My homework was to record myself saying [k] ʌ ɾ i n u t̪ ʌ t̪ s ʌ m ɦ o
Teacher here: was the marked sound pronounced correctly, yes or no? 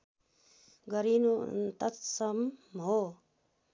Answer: no